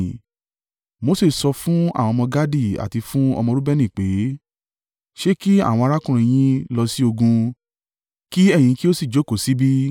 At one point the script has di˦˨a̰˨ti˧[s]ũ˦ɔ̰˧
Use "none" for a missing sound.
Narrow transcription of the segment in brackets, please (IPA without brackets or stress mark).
f